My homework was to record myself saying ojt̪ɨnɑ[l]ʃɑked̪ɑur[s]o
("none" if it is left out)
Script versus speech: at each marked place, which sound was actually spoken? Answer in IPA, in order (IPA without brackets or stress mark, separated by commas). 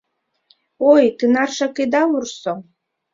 r, s